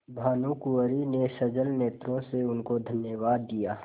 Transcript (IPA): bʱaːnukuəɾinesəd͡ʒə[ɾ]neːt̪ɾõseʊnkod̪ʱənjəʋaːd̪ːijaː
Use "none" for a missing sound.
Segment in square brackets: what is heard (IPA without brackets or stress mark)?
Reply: l